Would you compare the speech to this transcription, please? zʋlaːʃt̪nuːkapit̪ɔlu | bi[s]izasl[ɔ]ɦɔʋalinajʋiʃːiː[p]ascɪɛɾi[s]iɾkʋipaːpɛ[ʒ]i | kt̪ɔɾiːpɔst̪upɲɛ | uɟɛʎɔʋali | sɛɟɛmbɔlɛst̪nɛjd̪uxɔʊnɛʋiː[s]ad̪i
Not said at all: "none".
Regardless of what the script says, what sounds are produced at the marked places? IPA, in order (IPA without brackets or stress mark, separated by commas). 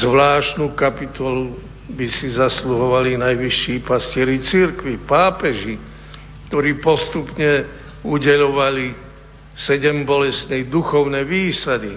s, u, p, t͡s, ʒ, s